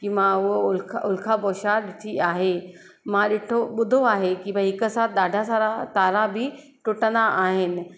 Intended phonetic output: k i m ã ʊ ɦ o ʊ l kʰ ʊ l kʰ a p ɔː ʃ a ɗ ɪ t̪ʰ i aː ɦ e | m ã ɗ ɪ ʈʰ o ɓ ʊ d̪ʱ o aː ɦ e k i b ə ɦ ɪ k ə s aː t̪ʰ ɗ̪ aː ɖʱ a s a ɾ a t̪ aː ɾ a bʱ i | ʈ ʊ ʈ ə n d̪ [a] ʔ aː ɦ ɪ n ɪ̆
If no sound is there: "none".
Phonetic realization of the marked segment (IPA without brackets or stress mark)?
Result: a